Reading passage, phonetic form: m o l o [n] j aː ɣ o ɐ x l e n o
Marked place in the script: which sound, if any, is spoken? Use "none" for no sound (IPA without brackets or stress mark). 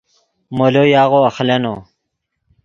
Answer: none